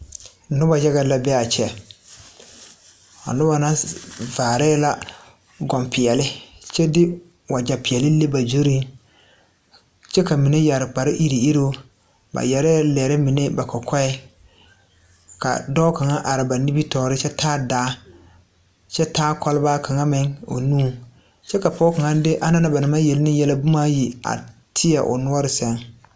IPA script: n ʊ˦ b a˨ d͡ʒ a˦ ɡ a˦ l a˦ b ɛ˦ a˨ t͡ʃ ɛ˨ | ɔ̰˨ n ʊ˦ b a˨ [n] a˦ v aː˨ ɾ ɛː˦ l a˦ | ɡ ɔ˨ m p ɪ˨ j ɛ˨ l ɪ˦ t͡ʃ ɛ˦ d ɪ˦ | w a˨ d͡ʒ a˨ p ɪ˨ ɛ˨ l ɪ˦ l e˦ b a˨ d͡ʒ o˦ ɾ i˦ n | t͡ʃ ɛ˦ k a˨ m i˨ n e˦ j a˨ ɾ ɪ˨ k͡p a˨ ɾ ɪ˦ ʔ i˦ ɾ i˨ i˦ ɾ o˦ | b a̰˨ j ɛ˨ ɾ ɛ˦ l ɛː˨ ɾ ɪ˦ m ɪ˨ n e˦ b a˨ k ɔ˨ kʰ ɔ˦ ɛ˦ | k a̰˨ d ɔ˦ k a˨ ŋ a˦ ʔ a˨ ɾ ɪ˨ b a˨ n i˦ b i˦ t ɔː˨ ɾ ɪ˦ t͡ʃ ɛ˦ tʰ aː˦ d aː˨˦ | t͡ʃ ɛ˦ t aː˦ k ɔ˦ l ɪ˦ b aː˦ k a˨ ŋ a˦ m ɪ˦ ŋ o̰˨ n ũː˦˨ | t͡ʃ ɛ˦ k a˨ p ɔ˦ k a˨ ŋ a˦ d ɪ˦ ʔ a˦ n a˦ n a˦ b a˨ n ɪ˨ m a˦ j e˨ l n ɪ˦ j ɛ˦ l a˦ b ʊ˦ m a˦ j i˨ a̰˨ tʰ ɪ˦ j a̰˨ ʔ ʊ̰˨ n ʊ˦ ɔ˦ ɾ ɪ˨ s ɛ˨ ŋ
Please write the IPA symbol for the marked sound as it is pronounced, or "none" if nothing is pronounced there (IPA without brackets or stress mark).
n